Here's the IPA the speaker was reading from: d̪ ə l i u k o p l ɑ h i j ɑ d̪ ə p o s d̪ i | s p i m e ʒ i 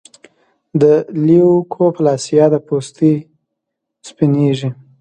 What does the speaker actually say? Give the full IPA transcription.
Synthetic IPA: d̪ ə l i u kʰ o p l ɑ s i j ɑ d̪ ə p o s t̪ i | s p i n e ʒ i

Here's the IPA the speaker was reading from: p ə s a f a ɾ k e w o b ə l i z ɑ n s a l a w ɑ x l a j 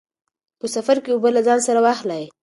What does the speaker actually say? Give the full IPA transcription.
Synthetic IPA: p ə s a f a ɾ k e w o b ə l a z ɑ n s a ɾ a w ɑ x l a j

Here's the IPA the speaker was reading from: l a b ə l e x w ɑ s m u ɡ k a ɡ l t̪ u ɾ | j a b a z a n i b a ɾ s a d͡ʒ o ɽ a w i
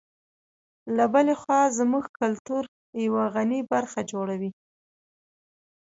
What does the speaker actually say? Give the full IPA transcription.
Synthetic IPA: l a b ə l e x w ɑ z m u ɡ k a l t̪ u ɾ | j a w a ɣ a n i b a ɾ x a d͡ʒ o ɽ a w i

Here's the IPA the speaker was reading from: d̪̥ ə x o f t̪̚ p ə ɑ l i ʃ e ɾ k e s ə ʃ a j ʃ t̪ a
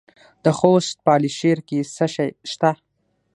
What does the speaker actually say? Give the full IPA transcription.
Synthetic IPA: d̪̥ ə x o s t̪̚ p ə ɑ l i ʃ e ɾ k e s ə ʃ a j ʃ t̪ a

